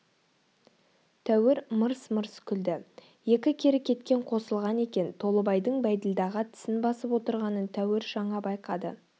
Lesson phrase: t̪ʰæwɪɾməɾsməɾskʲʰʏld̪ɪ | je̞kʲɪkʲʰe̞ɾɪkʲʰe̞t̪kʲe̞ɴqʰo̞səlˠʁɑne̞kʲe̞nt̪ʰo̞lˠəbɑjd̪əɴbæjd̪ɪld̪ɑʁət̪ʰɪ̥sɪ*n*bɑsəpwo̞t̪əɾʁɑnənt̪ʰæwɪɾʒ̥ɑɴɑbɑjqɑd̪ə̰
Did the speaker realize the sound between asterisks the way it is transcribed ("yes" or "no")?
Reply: yes